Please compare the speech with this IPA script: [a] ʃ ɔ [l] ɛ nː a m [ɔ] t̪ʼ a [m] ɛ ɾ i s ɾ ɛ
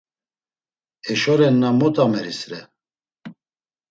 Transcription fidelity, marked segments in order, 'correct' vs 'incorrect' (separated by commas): incorrect, incorrect, correct, correct